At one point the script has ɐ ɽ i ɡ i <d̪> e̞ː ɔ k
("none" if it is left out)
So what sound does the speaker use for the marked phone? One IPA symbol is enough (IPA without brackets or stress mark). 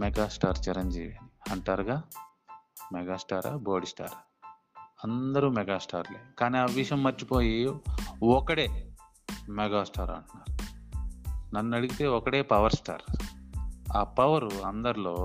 t̪